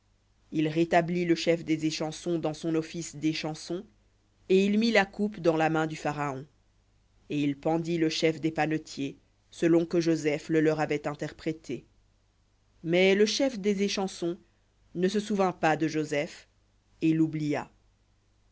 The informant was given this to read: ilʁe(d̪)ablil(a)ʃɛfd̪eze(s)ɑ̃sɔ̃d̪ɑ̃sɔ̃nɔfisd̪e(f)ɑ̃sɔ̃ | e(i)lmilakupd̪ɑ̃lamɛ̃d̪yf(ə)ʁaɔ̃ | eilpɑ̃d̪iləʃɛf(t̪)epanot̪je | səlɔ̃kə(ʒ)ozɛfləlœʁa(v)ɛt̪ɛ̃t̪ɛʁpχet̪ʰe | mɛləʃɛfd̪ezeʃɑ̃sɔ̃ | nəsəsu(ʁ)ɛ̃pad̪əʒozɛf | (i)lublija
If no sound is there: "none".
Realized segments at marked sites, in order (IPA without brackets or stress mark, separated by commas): t̪, ə, ʃ, ʃ, i, a, d̪, ʒ, v, v, e